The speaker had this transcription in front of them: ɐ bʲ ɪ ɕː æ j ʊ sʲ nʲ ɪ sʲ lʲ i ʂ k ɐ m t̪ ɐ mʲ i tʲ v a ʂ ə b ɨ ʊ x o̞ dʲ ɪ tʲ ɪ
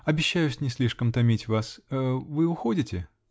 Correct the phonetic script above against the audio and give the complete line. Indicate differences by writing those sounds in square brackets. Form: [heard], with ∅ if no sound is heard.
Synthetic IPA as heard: ɐ bʲ ɪ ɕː æ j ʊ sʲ nʲ ɪ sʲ lʲ i ʂ k [ə] m t̪ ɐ mʲ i tʲ v a [s] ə [v] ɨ ʊ x o̞ dʲ ɪ tʲ ɪ